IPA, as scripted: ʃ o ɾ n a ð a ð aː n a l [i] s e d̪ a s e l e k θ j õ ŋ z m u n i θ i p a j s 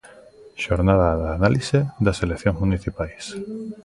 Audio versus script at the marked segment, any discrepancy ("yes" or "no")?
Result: no